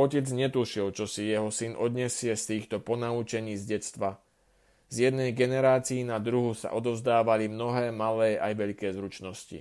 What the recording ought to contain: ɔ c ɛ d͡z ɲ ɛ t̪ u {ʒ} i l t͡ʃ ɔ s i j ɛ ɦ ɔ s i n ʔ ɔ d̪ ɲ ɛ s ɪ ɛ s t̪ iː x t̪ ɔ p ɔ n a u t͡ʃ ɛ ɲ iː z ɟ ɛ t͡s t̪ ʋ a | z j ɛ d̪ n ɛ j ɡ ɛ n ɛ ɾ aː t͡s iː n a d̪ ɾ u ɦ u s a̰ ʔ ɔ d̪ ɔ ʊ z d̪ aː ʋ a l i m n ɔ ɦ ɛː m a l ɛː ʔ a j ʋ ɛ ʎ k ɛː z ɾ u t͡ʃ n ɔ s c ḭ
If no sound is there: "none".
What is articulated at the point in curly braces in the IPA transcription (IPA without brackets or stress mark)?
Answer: ʃ